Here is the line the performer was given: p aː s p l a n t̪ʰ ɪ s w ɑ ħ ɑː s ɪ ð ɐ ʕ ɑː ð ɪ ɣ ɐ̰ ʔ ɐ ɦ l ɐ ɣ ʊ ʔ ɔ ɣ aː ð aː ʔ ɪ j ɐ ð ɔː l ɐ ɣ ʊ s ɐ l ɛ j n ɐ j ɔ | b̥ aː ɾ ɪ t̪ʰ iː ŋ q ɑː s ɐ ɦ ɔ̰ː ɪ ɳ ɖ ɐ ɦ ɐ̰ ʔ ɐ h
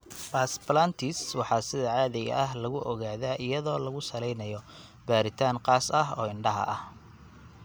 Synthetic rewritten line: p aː s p l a n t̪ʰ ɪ s w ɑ ħ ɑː s ɪ ð ɐ ʕ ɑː ð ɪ ɣ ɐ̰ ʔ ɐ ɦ l ɐ ɣ ʊ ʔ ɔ ɣ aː ð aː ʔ ɪ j ɐ ð ɔː l ɐ ɣ ʊ s ɐ l ɛ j n ɐ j ɔ | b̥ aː ɾ ɪ t̪ʰ aː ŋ q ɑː s ɐ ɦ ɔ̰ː ɪ ɳ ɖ ɐ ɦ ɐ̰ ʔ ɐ h